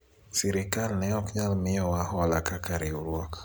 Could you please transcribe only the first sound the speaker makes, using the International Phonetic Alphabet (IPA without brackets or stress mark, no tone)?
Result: s